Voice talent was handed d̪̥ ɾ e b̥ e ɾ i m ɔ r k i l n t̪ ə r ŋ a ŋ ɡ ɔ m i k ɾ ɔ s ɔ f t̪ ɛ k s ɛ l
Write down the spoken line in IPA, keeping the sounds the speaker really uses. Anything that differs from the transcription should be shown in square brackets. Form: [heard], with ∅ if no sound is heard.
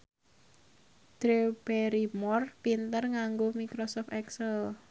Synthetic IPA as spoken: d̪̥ ɾ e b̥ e ɾ i m ɔ r [p] i [∅] n t̪ ə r ŋ a ŋ ɡ [o] m i k ɾ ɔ s ɔ f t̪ ɛ k s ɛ l